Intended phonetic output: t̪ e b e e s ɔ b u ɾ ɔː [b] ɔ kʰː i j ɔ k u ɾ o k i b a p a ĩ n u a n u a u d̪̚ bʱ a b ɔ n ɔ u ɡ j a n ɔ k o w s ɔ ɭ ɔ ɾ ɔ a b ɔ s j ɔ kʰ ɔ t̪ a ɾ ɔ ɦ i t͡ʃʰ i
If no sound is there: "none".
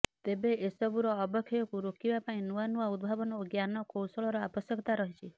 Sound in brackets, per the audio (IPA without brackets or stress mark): b